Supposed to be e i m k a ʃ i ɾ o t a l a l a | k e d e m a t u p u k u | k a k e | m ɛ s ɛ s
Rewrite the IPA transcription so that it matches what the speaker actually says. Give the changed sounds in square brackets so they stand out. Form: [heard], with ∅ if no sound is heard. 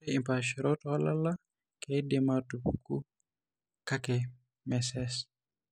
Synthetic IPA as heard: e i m [p] a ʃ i ɾ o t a l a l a | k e d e m a t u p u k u | k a k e | m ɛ s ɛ s